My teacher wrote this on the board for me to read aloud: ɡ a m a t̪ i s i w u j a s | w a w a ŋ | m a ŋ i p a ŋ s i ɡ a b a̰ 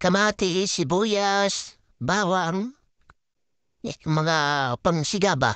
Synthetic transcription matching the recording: k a m a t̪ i s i b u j a s | b a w a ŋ | m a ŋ a p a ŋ s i ɡ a b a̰